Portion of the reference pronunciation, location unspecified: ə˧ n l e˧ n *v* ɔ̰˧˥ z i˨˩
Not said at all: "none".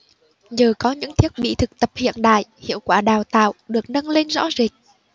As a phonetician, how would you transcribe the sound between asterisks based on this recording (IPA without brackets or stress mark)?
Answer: z